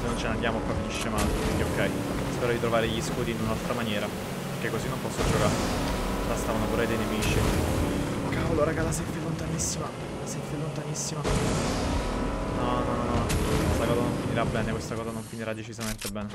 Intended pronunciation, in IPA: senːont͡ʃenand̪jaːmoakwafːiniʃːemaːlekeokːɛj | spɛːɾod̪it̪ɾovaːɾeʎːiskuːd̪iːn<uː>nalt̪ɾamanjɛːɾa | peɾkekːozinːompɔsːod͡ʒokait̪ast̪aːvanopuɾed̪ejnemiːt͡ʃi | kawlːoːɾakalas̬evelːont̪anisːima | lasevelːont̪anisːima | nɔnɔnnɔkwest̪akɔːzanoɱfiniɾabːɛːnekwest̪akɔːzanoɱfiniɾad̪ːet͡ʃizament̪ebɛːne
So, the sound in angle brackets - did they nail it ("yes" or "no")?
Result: no